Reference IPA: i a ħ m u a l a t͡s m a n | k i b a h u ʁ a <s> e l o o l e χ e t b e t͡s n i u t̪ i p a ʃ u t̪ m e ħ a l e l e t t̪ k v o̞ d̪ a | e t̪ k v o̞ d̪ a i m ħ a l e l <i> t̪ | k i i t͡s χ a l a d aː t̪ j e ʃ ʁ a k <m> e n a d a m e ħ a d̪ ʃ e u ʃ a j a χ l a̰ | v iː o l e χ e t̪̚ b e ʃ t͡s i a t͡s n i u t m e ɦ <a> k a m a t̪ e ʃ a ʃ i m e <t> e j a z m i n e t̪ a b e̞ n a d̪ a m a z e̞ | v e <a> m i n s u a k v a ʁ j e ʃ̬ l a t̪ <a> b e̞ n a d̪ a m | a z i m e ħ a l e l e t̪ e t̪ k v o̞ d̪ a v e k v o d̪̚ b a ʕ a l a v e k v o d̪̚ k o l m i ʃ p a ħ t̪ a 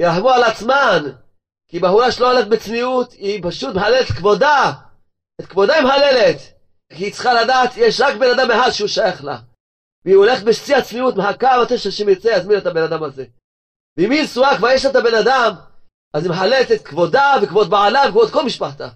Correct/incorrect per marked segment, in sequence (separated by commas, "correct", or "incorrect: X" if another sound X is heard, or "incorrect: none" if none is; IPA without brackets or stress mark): incorrect: ʃ, incorrect: e, incorrect: b, correct, incorrect: t͡s, incorrect: i, correct